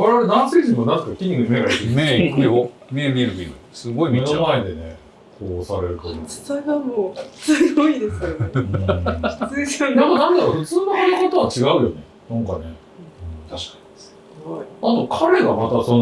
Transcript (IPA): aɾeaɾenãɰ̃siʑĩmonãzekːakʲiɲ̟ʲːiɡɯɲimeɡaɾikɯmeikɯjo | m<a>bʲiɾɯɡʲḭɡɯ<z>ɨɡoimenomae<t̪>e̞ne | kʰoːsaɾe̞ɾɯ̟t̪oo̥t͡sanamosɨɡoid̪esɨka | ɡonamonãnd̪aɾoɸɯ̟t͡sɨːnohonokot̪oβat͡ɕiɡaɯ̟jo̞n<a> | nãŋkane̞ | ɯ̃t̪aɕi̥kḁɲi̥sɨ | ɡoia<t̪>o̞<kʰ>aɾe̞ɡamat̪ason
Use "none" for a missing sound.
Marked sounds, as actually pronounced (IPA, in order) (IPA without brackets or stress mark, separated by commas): e, s, d̪, e, t̪, kʰ